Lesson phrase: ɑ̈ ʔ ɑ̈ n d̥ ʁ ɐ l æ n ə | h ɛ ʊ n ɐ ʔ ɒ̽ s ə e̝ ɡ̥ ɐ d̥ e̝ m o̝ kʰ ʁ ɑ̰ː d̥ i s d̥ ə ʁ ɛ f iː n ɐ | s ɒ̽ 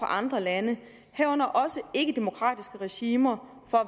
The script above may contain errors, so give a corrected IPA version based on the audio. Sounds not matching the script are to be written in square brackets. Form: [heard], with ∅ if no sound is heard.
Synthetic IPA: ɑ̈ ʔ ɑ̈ n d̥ ʁ ɐ l æ n ə | h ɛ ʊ n ɐ ʔ ɒ̽ s ə e̝ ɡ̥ [ə] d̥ e̝ m o̝ kʰ ʁ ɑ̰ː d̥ i s [ɡ̥] ə ʁ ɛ [ɕ] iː [m] ɐ | [f] ɒ̽